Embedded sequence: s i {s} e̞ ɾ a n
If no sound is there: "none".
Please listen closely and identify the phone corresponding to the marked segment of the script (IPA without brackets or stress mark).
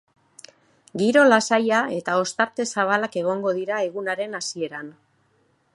none